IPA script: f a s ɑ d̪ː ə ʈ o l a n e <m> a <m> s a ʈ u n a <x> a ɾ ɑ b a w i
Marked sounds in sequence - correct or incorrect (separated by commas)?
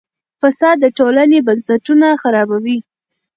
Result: incorrect, incorrect, correct